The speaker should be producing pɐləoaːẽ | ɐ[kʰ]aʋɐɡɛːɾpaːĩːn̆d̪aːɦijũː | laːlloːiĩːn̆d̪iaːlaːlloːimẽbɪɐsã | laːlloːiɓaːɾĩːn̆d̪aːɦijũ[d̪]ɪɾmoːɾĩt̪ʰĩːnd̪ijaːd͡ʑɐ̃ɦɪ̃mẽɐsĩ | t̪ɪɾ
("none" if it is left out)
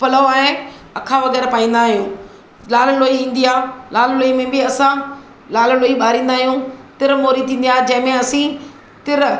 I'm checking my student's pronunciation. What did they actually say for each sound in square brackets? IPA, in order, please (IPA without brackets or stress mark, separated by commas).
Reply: kʰ, t̪